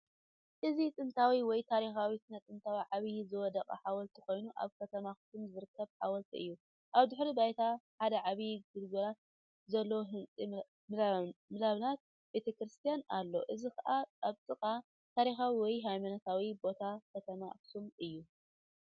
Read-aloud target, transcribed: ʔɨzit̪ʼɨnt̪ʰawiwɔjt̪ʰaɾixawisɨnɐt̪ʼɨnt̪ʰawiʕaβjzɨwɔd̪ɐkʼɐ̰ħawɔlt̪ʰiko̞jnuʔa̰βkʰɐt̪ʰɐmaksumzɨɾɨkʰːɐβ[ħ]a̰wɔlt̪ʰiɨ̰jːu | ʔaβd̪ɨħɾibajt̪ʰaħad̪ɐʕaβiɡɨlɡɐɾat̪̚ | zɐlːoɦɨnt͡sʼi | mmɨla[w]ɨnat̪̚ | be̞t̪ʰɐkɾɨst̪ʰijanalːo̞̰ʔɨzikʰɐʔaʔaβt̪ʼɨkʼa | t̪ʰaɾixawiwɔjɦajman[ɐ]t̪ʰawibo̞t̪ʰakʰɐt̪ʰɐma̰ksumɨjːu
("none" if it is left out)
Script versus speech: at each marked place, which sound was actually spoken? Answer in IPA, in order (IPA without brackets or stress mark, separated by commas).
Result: ħ, β, ɐ